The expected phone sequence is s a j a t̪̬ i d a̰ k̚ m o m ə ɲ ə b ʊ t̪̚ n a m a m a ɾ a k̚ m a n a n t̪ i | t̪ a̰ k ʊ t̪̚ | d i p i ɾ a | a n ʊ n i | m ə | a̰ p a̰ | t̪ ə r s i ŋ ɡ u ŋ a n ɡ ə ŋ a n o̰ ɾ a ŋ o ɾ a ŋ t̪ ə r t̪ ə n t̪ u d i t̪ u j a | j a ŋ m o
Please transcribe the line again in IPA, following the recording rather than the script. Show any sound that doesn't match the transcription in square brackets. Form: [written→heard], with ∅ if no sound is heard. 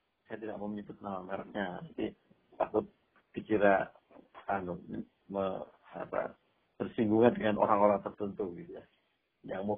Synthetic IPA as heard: s a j a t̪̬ i d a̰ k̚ m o m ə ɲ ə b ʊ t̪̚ n a m a m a ɾ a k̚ [m→ɲ] a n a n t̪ i | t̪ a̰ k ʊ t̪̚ | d i [p→k] i ɾ a | a n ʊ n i | m ə | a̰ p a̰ | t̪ ə r s i ŋ ɡ u ŋ a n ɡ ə ŋ a n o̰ ɾ a ŋ o ɾ a ŋ t̪ ə r t̪ ə n t̪ u [d→ɡ] i t̪ u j a | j a ŋ m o